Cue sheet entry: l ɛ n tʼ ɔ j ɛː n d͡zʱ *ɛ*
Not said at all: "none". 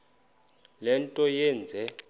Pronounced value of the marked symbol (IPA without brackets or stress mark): ɛ